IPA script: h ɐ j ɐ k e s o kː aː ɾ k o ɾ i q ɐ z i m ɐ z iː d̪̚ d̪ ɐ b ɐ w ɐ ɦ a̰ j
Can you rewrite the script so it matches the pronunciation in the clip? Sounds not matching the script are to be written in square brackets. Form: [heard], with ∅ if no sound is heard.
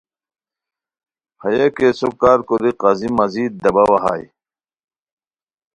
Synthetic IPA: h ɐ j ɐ k e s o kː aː ɾ k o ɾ i q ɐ z i m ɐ z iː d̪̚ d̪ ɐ b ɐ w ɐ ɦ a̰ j